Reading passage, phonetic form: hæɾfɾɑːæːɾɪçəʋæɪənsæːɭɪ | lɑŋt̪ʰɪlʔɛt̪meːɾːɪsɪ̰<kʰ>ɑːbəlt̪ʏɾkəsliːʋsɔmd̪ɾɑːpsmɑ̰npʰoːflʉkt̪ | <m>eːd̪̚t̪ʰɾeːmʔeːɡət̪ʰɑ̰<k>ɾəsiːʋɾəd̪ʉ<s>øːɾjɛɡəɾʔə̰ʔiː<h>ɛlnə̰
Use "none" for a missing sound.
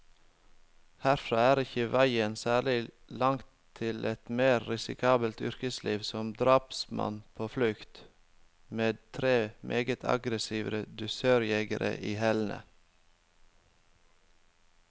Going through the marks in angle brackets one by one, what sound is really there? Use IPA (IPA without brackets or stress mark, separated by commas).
kʰ, m, ɡ, s, h